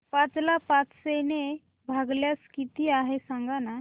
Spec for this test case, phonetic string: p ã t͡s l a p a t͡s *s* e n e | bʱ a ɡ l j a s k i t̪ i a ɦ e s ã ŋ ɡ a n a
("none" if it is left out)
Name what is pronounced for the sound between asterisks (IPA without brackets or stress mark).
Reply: s